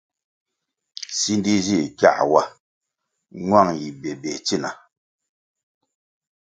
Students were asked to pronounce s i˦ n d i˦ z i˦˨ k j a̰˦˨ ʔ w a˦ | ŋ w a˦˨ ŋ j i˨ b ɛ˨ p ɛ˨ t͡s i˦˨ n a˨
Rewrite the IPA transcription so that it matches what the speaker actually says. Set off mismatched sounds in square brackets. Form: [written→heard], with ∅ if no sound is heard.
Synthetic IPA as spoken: s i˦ n d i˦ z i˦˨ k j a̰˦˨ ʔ w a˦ | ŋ w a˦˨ ŋ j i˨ b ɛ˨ [p→b] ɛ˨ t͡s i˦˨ n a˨